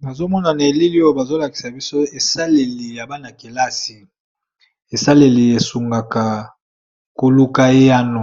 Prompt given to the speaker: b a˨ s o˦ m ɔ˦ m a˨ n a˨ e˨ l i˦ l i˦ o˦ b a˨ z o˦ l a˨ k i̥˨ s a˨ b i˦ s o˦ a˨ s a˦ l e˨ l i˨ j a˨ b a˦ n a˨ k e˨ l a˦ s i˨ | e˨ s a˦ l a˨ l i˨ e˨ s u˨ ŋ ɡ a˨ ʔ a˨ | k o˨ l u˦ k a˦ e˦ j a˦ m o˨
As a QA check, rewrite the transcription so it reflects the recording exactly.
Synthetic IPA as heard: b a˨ z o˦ m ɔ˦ n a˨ n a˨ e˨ l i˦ l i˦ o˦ b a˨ z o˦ l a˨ k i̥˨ s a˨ b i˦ s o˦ e˨ s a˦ l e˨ l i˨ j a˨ b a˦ n a˨ k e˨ l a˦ s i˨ | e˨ s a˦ l e˨ l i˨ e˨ s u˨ ŋ ɡ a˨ k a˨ | k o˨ l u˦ k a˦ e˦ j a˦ n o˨